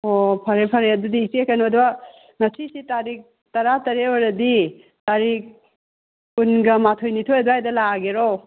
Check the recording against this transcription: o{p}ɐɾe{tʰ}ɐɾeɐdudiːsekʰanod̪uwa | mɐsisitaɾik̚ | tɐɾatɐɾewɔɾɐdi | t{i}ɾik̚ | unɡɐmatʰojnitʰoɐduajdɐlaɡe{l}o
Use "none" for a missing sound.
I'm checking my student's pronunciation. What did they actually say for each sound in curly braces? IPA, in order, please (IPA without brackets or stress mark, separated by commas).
pʰ, pʰ, a, ɾ